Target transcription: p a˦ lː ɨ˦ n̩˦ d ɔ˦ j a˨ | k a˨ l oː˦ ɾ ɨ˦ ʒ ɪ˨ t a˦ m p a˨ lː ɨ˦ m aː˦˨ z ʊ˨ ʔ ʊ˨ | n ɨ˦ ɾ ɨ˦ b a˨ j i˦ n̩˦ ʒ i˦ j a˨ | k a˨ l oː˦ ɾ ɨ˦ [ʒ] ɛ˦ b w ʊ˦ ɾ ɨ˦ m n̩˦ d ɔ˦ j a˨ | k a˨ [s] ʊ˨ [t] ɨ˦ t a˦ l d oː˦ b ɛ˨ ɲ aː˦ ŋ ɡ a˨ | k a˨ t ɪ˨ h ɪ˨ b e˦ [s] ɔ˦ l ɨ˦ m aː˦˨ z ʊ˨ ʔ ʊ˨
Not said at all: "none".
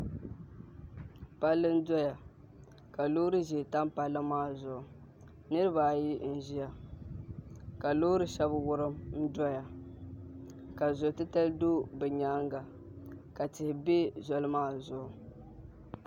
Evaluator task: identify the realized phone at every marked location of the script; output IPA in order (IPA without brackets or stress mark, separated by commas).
ʃ, z, t, z